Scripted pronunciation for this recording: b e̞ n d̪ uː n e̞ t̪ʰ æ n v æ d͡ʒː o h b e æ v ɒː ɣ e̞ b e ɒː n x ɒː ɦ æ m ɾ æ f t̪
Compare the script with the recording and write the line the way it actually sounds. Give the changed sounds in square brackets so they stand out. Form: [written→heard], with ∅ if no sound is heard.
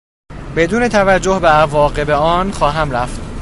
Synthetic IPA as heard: b e̞ [n→∅] d̪ uː n e̞ t̪ʰ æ [n→∅] v æ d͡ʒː o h b e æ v ɒː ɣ e̞ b e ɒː n x ɒː ɦ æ m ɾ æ f t̪